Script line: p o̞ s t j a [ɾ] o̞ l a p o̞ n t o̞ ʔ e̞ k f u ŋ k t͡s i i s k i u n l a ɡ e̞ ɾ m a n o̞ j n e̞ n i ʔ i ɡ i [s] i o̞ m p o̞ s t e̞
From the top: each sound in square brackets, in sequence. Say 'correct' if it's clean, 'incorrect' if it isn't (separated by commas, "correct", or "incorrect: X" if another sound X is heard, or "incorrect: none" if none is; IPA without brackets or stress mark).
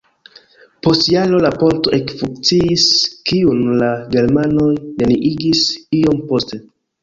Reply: incorrect: l, correct